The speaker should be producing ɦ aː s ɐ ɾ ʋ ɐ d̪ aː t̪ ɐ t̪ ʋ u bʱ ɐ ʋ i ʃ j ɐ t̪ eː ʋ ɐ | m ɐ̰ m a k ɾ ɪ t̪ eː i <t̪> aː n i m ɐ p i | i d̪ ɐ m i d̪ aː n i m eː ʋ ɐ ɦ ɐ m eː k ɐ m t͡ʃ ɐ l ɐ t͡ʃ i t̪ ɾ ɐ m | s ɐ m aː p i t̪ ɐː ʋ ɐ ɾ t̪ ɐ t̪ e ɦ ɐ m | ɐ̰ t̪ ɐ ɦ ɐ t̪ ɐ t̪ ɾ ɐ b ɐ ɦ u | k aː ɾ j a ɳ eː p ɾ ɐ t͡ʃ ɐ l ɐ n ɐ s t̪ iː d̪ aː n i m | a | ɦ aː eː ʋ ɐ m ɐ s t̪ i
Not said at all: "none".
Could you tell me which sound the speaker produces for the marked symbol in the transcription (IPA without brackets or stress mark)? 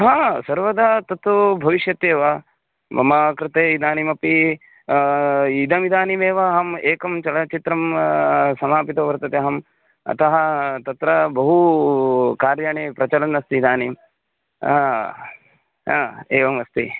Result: d̪